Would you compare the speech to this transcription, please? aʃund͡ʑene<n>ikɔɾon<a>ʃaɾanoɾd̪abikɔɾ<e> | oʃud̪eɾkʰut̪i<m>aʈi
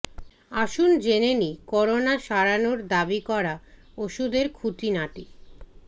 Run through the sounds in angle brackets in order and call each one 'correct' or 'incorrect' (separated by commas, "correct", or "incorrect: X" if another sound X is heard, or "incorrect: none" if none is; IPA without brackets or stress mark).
correct, correct, incorrect: a, incorrect: n